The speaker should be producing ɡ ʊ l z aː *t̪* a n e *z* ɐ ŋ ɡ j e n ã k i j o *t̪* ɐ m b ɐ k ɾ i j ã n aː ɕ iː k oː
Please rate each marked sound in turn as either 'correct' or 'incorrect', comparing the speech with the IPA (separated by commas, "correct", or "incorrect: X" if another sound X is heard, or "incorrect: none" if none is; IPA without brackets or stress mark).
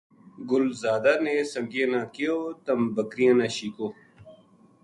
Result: incorrect: d̪, incorrect: s, correct